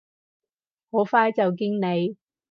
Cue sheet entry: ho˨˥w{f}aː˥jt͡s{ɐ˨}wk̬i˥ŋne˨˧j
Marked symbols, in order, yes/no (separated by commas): yes, yes